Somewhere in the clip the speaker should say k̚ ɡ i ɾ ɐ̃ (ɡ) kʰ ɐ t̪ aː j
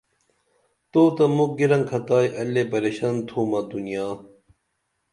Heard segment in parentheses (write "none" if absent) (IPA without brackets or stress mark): ŋ